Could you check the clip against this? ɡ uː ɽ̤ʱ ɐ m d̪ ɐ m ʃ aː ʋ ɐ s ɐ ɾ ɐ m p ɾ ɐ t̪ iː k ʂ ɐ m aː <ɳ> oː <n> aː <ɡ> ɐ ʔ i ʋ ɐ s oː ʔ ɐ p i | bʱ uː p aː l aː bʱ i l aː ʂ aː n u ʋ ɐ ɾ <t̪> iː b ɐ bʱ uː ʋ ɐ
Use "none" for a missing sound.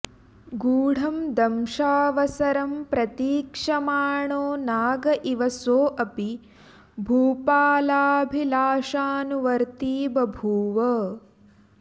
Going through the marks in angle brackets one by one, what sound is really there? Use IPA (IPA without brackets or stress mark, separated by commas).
ɳ, n, ɡ, t̪